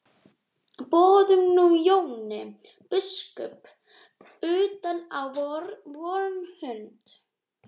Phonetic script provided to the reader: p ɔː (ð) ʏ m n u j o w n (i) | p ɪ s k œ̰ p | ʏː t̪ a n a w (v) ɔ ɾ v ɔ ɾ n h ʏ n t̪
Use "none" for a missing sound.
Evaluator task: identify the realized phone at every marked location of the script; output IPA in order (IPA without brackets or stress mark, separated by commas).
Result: ð, ɪ, v